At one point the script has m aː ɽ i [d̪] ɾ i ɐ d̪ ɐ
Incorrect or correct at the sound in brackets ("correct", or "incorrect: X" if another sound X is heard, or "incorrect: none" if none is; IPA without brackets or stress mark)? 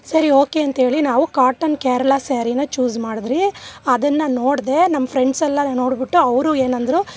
correct